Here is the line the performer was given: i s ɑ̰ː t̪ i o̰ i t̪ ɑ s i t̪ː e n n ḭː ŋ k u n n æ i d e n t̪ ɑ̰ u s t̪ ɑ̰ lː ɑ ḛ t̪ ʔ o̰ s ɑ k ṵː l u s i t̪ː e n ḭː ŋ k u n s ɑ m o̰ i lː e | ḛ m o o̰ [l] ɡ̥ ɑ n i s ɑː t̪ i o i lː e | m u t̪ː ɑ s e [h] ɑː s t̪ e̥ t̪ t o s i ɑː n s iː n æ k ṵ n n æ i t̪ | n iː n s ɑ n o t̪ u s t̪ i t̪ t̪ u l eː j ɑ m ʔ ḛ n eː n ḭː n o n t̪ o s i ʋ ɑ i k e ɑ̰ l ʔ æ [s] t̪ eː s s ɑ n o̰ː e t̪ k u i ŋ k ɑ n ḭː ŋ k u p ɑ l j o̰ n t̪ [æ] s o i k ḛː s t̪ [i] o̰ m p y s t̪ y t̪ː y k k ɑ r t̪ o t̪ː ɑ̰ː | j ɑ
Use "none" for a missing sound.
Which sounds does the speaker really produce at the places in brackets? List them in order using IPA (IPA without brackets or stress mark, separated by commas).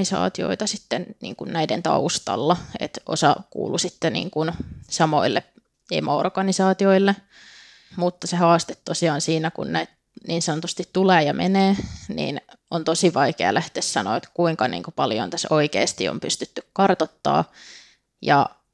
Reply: r, h, h, æ, i